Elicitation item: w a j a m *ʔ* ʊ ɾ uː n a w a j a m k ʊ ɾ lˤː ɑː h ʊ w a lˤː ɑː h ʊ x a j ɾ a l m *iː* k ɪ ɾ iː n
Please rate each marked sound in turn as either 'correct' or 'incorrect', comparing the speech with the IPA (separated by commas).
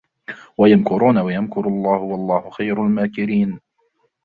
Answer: incorrect, incorrect